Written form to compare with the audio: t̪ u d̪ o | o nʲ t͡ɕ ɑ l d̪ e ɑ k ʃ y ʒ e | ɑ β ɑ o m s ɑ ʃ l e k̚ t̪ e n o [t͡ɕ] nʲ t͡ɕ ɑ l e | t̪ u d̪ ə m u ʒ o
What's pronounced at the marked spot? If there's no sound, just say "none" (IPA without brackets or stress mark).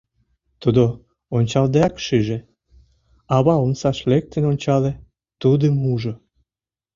none